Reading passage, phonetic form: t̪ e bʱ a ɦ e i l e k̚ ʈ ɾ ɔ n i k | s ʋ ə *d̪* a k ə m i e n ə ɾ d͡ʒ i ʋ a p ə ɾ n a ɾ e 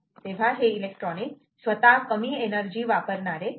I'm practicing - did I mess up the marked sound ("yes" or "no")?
yes